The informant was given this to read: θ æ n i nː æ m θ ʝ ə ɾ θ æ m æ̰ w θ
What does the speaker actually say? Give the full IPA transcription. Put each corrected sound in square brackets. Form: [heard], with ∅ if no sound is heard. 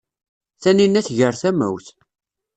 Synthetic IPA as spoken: θ æ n i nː æ [∅] θ ʝ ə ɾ θ æ m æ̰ w θ